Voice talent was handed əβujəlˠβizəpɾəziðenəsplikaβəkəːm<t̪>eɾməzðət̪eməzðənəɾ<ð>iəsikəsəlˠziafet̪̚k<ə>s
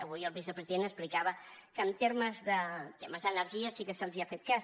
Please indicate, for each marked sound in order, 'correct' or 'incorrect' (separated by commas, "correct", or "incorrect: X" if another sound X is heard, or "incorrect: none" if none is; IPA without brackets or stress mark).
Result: correct, incorrect: ʒ, incorrect: a